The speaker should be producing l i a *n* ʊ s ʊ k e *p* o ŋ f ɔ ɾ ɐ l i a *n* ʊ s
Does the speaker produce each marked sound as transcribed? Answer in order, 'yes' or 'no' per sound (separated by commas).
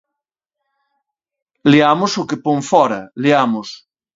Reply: no, yes, no